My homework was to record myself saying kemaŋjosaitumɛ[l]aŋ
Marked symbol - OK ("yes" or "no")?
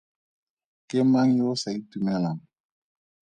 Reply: yes